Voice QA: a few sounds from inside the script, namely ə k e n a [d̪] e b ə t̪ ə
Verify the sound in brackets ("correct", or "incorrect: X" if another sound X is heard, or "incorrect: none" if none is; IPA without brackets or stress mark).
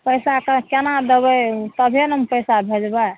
correct